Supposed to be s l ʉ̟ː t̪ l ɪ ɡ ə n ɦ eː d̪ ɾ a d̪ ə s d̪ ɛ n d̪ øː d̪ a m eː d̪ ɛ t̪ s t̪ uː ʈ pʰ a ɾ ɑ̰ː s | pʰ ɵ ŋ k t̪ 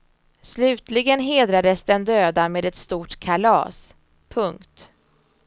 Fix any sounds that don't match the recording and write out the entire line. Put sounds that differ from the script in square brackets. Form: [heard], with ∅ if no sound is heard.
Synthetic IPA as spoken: s l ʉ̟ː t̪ l ɪ ɡ ə n ɦ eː d̪ ɾ a d̪ ə s d̪ ɛ n d̪ øː d̪ a m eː d̪ ɛ t̪ s t̪ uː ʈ [kʰ] a [l] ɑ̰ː s | pʰ ɵ ŋ k t̪